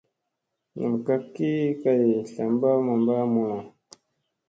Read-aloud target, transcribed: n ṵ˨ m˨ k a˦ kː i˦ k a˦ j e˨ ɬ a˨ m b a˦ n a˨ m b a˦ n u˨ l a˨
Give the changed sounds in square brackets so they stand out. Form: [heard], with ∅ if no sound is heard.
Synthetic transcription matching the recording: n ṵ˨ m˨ k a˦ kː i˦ k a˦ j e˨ ɬ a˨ m b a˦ [m] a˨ m b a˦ [m] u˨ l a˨